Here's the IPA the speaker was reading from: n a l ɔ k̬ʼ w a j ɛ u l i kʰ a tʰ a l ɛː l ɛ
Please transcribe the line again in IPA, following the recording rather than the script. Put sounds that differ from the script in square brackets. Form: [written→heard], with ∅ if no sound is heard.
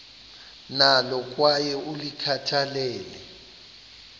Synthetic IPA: n a l ɔ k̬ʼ w a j ɛ u l i kʰ a tʰ a l ɛː l ɛ